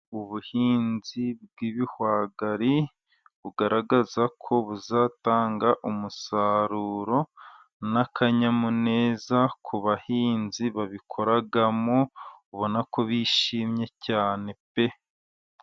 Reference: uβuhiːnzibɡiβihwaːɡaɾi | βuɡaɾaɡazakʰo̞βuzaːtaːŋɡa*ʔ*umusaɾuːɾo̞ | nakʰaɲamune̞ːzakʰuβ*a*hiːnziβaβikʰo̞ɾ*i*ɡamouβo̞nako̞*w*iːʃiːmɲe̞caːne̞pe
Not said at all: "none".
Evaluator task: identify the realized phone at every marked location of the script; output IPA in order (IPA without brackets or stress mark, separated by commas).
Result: ʔ, a, a, β